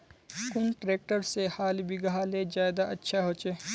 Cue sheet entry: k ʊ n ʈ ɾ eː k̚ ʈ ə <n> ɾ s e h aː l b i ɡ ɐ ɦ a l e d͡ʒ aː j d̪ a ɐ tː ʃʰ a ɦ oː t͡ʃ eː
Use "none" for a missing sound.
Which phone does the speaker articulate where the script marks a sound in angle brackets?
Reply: none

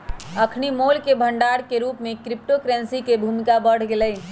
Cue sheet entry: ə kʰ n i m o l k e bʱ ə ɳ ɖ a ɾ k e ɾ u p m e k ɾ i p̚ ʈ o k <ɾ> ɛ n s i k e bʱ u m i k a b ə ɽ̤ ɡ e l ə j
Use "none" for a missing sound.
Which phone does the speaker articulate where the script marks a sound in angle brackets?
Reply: ɾ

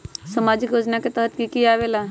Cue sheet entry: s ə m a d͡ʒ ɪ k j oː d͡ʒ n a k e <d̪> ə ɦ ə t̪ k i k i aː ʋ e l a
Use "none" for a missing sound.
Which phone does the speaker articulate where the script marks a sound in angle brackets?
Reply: t̪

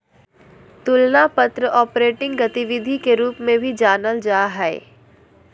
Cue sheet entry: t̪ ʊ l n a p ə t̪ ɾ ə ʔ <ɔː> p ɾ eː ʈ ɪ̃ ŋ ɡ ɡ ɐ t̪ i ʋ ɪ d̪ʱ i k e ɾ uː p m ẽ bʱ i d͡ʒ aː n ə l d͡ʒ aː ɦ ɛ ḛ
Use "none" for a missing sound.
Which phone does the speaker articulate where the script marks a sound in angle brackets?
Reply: ɔː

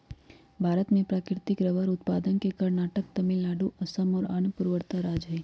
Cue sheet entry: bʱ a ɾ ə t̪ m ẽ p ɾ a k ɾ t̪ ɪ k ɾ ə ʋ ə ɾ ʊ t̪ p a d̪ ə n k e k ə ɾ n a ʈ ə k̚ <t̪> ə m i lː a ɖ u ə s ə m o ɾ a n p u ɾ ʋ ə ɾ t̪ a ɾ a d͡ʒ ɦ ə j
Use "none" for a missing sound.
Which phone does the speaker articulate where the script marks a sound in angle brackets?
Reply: t̪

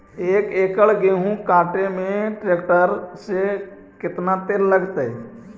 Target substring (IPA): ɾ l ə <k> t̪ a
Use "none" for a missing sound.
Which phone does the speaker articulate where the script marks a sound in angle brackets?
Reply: ɡ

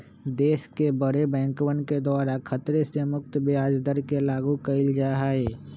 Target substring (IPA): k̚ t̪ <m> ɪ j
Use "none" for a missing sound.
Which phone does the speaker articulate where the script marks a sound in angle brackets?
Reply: b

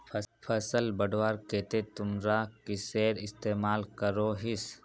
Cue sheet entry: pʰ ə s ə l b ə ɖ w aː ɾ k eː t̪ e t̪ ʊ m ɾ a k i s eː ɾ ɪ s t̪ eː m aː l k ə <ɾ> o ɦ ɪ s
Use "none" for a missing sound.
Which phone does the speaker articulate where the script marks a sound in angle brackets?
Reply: ɾ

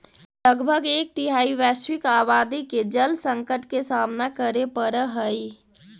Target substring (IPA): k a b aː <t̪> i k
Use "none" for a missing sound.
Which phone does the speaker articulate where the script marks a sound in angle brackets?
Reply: d̪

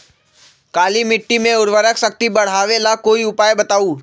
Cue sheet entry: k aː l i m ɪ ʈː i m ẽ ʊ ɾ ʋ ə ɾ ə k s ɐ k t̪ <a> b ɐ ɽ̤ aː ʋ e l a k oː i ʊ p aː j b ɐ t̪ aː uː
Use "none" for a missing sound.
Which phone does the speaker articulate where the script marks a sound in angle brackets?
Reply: i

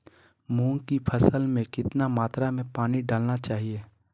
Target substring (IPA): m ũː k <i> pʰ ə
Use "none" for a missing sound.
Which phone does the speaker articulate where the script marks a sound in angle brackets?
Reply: i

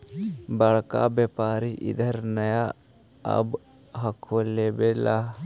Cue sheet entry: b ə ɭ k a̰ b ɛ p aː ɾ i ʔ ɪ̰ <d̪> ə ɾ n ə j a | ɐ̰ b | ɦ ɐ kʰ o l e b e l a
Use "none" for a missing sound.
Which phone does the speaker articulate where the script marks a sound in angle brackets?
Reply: d̪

